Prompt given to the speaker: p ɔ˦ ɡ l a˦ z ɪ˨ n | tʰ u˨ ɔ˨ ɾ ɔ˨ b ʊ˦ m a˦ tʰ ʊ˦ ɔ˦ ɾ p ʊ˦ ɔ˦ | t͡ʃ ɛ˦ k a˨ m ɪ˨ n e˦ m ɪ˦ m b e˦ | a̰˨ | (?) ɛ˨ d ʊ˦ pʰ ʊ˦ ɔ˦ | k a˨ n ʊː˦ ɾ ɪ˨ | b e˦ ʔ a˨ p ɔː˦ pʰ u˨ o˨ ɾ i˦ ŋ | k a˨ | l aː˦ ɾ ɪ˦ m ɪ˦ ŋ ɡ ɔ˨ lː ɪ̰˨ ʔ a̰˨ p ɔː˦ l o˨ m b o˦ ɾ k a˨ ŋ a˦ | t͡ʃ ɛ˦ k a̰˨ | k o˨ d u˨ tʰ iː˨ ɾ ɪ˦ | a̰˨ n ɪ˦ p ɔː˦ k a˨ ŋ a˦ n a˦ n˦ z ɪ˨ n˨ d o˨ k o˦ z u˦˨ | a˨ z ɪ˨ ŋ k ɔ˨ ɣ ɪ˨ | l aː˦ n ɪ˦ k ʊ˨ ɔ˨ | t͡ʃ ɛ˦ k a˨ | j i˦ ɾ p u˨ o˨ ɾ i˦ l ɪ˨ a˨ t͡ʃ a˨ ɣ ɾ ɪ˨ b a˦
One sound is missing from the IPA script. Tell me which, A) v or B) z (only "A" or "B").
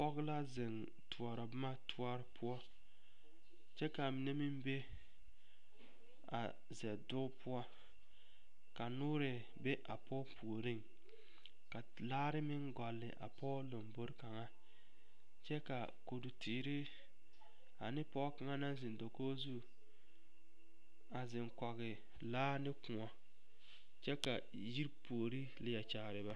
B